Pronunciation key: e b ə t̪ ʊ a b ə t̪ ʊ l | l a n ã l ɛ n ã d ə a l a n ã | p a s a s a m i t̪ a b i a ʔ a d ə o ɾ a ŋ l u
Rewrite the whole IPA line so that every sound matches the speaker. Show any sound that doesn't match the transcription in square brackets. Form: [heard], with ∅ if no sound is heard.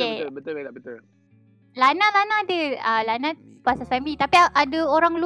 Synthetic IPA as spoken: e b ə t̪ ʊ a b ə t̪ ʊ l | l a n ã l [a] n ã d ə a l a n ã | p a s a s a m i t̪ a [p] i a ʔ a d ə o ɾ a ŋ l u